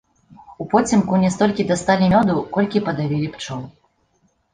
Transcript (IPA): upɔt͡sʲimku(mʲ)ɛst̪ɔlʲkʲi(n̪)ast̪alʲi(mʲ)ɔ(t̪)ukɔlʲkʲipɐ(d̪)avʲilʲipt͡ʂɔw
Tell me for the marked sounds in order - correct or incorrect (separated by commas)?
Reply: incorrect, incorrect, correct, incorrect, correct